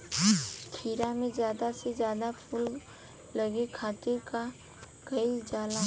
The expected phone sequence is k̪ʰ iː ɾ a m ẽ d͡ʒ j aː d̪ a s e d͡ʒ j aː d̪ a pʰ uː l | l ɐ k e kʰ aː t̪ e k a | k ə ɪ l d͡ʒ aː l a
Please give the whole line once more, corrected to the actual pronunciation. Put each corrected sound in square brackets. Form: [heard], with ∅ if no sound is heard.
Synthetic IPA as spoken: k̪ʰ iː ɾ a m ẽ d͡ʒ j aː d̪ a s e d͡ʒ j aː d̪ a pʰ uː l | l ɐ [ɡ] e kʰ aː t̪ e k a | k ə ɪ l d͡ʒ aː l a